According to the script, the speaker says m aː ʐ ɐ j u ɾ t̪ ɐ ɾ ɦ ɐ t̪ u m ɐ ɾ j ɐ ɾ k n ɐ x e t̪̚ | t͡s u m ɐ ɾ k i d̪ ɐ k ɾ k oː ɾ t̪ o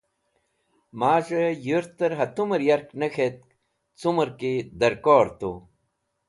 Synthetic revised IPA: m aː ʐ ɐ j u ɾ t̪ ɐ ɾ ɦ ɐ t̪ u m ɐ ɾ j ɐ ɾ k n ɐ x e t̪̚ | t͡s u m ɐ ɾ k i d̪ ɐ ɾ k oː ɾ t̪ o